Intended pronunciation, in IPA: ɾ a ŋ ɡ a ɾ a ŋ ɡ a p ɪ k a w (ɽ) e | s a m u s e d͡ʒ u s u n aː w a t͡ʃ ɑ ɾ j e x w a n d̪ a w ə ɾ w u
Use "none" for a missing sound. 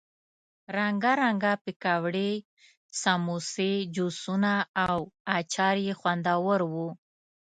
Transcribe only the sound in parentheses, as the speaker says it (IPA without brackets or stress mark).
ɽ